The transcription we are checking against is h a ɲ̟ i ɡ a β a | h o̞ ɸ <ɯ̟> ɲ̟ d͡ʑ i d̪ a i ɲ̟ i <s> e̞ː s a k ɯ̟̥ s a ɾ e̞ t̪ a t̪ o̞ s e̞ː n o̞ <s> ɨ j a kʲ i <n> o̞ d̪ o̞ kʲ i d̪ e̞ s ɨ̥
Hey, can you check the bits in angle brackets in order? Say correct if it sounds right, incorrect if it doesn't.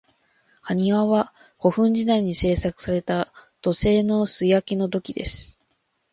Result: incorrect: ɯ̟̃, correct, correct, correct

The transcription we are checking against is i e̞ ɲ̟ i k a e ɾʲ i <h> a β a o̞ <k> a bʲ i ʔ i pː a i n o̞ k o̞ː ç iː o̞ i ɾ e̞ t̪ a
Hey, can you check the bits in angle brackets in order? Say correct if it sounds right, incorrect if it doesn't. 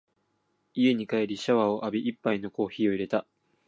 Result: incorrect: ɕ, incorrect: ʔ

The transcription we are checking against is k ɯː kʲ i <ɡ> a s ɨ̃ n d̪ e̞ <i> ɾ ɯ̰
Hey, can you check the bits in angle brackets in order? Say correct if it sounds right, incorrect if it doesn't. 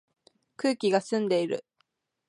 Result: correct, correct

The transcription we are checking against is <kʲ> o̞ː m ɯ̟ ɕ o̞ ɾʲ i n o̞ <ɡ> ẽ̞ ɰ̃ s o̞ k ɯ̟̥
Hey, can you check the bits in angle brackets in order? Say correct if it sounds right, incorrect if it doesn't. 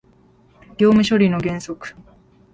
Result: incorrect: ɡʲ, correct

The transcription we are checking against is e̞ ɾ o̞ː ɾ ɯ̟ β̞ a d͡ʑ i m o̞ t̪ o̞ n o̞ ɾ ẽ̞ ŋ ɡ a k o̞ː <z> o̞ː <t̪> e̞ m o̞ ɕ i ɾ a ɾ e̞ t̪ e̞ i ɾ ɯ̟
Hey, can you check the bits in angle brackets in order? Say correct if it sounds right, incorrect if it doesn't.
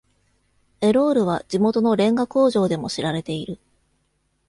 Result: incorrect: ʑ, incorrect: d̪

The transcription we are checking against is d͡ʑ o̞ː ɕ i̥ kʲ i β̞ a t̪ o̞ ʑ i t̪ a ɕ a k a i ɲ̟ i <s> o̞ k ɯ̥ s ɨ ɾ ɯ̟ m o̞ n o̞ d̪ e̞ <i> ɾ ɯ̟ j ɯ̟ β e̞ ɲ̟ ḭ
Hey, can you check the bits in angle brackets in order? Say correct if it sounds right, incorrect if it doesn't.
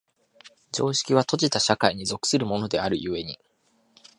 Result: incorrect: z, incorrect: a

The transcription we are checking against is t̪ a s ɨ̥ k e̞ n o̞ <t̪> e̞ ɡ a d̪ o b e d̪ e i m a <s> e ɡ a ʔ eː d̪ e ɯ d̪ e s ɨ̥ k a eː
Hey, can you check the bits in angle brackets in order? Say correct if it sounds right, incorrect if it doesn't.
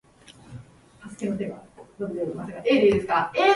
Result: correct, correct

